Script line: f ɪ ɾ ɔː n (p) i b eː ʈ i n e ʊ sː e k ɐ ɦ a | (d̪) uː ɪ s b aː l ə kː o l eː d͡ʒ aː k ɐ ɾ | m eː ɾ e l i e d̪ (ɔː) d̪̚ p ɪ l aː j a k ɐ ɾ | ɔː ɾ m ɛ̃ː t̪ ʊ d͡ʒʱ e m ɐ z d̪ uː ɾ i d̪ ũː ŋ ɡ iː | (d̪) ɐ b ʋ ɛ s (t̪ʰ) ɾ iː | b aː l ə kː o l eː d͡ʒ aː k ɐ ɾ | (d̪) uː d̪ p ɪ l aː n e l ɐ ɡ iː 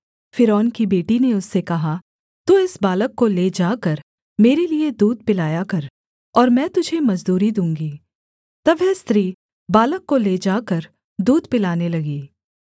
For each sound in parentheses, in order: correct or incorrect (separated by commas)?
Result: incorrect, incorrect, incorrect, incorrect, incorrect, correct